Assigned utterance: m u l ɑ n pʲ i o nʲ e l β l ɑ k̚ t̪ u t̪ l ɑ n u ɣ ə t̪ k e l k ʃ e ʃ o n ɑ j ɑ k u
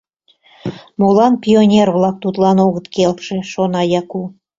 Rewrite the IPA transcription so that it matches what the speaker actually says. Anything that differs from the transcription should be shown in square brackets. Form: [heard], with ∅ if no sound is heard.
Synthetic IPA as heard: m [o] l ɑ n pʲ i o nʲ e [r] β l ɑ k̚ t̪ u t̪ l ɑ n [o] ɣ ə t̪ k e l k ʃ e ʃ o n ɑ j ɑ k u